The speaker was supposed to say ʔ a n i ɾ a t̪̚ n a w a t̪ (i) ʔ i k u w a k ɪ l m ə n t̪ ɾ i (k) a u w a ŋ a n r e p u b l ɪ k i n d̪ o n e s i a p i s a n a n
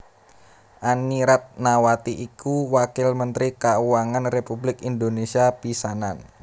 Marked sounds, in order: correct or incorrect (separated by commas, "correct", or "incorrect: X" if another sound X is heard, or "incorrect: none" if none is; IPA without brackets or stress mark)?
correct, correct